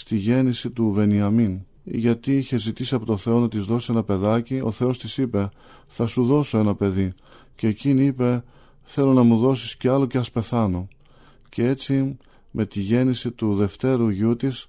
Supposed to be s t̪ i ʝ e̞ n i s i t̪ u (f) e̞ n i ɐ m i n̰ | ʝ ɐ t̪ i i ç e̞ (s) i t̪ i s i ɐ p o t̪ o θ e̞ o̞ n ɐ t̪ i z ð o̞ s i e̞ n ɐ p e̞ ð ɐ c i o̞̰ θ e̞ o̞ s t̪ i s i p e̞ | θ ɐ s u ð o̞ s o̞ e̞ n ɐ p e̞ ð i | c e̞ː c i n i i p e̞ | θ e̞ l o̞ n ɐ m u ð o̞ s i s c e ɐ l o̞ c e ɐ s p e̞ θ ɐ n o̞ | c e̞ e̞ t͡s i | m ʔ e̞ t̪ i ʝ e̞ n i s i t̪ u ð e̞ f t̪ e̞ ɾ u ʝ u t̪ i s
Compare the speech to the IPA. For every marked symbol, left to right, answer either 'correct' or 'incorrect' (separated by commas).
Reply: incorrect, incorrect